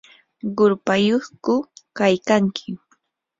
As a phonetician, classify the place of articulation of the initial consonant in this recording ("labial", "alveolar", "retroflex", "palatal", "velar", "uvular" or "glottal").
uvular